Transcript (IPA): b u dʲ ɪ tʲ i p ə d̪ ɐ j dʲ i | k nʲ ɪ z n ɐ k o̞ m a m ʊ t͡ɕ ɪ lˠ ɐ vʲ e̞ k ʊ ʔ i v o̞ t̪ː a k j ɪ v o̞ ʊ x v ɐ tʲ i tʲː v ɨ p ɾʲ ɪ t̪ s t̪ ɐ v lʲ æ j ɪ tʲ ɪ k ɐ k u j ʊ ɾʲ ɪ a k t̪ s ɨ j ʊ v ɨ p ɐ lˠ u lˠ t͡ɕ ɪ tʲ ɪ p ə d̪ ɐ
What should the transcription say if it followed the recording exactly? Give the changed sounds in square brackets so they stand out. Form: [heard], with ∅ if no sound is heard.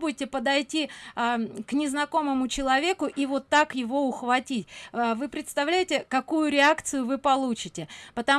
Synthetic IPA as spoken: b u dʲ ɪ tʲ [ɪ] p ə d̪ ɐ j [tʲ] i | k nʲ ɪ z n ɐ k o̞ m [ə] m ʊ t͡ɕ ɪ lˠ ɐ vʲ e̞ k ʊ ʔ i v o̞ t̪ː a k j ɪ v o̞ ʊ x v ɐ tʲ i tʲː v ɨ p ɾʲ ɪ t̪ s t̪ ɐ v lʲ æ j ɪ tʲ ɪ k ɐ k u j ʊ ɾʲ ɪ a k t̪ s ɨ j ʊ v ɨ p ɐ lˠ u [∅] t͡ɕ ɪ tʲ ɪ p ə [t̪] ɐ